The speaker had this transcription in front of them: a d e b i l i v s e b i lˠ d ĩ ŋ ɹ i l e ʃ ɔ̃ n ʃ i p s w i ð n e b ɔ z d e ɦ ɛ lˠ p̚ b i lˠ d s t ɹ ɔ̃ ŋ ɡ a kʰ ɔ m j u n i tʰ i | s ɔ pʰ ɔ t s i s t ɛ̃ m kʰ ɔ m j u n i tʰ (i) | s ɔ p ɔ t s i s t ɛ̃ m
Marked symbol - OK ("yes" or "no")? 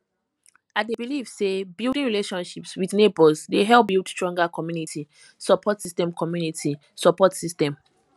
yes